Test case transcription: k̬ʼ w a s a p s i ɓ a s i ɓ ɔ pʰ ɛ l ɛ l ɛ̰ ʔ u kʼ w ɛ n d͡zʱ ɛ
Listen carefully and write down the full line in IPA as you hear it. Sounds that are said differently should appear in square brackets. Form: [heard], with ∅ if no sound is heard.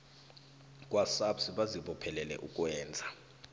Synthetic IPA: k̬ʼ w a s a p s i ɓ a [z] i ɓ ɔ pʰ ɛ l ɛ l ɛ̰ ʔ u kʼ w [ɛː] n d͡zʱ [a]